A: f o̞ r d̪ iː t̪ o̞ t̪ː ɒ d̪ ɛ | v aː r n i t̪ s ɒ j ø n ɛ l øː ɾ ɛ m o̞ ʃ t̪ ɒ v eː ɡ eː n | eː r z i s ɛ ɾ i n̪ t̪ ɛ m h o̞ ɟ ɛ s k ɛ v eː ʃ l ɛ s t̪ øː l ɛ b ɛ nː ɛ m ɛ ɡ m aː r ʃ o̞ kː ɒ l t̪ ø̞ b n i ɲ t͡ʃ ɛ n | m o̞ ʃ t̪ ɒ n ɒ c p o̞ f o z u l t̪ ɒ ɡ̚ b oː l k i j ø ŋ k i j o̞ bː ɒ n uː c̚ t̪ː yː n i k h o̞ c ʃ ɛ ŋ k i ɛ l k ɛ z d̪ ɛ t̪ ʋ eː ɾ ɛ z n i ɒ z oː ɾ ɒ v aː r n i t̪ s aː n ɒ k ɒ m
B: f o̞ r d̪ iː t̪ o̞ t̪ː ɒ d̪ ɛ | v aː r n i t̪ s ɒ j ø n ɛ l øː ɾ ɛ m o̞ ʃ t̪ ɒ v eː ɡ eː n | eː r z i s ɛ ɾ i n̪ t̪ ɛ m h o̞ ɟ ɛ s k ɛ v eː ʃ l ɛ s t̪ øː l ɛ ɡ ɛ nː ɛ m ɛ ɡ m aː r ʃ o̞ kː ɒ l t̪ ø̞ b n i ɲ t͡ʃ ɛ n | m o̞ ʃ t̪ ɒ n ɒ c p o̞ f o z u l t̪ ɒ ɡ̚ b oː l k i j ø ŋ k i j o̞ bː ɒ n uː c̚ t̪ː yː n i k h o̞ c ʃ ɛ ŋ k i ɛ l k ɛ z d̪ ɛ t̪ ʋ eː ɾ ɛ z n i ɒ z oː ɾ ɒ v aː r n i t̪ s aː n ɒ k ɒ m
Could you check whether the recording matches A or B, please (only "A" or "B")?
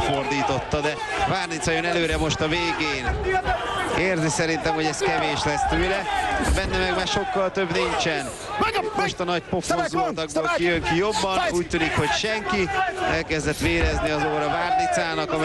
A